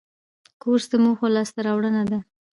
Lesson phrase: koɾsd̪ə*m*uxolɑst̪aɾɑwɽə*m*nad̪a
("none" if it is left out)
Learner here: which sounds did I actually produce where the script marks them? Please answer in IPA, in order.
m, none

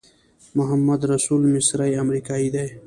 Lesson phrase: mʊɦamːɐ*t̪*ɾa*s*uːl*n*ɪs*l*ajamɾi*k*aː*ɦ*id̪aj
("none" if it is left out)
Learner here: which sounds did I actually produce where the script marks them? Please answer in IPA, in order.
d̪, s, m, ɾ, k, none

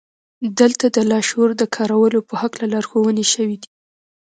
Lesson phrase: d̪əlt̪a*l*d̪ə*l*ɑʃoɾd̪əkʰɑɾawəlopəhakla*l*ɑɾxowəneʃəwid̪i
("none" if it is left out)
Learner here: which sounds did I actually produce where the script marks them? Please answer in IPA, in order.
none, l, l

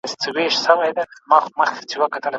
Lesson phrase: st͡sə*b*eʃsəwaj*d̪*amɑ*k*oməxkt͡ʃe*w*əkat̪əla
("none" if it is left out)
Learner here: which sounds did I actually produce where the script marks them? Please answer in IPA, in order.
w, d̪, x, w

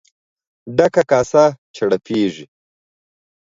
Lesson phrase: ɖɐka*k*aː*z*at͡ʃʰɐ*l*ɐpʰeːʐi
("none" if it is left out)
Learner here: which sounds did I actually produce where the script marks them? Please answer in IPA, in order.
k, s, ɽ

